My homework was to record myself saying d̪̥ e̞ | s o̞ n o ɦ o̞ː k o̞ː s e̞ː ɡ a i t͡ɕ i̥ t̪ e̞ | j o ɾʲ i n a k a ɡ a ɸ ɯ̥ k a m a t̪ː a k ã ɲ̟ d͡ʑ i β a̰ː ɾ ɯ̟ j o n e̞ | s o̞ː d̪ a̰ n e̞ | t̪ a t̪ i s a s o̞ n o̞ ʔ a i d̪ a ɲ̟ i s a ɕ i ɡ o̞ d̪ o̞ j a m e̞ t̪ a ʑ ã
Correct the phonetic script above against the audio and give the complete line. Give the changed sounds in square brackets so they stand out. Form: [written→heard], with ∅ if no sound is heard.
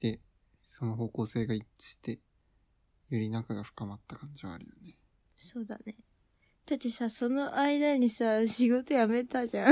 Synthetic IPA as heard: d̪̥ e̞ | s o̞ n o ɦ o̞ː k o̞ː s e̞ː ɡ a i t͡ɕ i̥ t̪ e̞ | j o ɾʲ i n a k a ɡ a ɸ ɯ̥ k a m a t̪ː a k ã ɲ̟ d͡ʑ i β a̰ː ɾ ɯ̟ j o n e̞ | s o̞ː d̪ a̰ n e̞ | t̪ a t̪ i s a s o̞ n o̞ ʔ a i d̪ a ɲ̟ i s a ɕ i ɡ o̞ [d̪→t̪] o̞ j a m e̞ t̪ a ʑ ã